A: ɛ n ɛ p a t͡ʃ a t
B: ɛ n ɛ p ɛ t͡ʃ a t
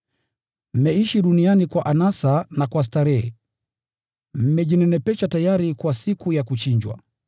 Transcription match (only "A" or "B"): B